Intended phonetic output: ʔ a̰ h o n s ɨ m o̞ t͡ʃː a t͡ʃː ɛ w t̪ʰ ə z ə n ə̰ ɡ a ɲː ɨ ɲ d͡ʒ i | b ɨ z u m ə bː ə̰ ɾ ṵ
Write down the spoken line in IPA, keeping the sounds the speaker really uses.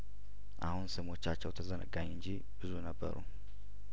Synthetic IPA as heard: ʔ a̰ h u n s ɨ m o̞ t͡ʃː a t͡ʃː ɛ w t̪ʰ ə z ə n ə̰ ɡ a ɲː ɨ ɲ d͡ʒ i | b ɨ z u n ə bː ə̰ ɾ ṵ